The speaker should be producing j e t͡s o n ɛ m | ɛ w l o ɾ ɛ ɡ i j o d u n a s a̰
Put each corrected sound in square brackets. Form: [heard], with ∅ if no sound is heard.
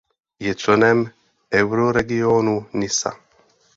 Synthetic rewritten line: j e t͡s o n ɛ m | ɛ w [ɾ] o ɾ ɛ ɡ i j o [n] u n [i] s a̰